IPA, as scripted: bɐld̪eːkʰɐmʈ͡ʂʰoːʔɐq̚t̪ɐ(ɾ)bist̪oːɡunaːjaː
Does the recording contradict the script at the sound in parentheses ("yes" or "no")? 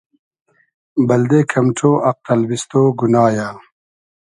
yes